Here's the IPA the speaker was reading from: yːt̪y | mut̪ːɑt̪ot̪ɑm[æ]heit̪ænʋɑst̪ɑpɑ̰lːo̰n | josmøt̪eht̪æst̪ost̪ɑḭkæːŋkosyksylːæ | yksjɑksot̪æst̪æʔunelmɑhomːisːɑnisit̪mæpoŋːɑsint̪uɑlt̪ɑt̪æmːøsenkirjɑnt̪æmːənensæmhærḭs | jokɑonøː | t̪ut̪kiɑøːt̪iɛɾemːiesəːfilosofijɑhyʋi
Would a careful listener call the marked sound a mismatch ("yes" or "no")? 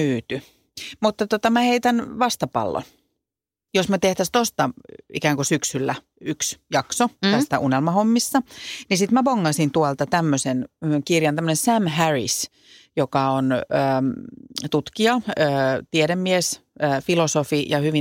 no